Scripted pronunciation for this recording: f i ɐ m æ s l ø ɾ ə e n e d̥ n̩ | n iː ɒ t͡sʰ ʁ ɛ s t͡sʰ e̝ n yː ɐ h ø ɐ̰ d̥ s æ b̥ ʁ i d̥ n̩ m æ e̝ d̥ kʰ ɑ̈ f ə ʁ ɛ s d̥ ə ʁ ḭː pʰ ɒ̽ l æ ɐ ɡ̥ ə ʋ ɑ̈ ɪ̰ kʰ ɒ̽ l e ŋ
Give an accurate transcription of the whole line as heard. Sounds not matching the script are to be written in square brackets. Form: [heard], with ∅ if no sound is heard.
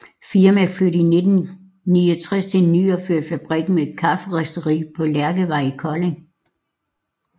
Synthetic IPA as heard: f i ɐ m æ [f] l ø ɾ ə [i] n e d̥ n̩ | n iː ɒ t͡sʰ ʁ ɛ s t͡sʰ e̝ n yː ɐ [f] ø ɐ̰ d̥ [f] æ b̥ ʁ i [ɡ̥] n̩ m [e] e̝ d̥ kʰ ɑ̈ f ə ʁ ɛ s d̥ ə ʁ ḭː pʰ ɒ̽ l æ ɐ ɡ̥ ə ʋ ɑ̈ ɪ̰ kʰ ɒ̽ l e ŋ